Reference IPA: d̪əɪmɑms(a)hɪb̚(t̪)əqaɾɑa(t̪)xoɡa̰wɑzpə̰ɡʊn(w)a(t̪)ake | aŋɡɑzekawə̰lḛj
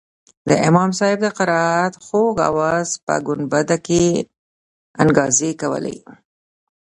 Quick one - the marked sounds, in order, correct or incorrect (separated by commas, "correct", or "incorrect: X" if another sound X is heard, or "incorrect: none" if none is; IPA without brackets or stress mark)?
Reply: incorrect: ɑ, incorrect: d̪, correct, incorrect: b, incorrect: d̪